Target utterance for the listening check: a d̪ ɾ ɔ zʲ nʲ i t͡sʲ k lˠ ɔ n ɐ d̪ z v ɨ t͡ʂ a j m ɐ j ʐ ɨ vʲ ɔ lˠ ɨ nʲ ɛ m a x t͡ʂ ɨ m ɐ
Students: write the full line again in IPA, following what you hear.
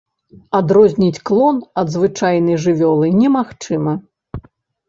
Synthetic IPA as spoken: a d̪ ɾ ɔ zʲ nʲ i t͡sʲ k lˠ ɔ n ɐ d̪ z v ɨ t͡ʂ a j n ɐ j ʐ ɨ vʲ ɔ lˠ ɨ nʲ ɛ m a x t͡ʂ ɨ m ɐ